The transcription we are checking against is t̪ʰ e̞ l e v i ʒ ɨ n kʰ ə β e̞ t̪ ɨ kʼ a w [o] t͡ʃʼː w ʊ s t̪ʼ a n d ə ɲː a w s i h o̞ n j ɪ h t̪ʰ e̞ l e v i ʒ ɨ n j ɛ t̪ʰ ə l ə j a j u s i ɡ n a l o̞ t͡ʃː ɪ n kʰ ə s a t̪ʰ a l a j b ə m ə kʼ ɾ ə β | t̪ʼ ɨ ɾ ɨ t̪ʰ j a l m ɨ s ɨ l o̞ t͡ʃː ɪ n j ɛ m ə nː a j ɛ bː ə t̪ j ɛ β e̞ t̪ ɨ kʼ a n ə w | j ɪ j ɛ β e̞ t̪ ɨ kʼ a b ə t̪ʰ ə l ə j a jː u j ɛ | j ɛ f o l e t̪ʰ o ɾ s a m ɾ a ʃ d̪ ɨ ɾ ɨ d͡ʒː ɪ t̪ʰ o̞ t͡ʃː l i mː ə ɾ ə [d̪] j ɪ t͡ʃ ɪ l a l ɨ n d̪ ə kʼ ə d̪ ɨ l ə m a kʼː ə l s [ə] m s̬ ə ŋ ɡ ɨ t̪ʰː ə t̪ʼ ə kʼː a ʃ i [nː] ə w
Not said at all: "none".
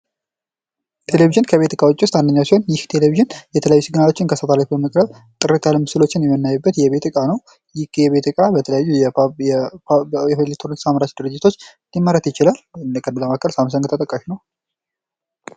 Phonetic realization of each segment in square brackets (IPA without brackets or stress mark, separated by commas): o, t̪, a, n